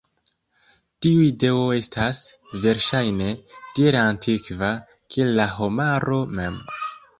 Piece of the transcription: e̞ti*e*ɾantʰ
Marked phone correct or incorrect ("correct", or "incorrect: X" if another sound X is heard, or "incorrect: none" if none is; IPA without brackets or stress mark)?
correct